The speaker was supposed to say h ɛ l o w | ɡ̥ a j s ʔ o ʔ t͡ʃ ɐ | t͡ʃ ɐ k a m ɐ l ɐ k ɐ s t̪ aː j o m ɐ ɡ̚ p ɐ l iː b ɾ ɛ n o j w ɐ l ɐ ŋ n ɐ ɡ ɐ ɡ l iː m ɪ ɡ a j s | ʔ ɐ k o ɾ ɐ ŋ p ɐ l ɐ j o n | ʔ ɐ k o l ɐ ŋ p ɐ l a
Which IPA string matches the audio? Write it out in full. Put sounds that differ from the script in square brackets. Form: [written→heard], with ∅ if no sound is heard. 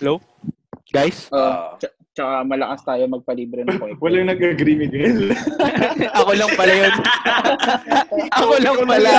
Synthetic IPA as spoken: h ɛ l o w | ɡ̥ a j s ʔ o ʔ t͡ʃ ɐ | t͡ʃ ɐ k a m ɐ l ɐ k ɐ s t̪ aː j o m ɐ ɡ̚ p ɐ l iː b ɾ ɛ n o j w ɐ l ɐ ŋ n ɐ ɡ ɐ ɡ [l→ɾ] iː m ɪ ɡ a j s | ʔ ɐ k o [ɾ→l] ɐ ŋ p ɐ l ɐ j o n | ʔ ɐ k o l ɐ ŋ p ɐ l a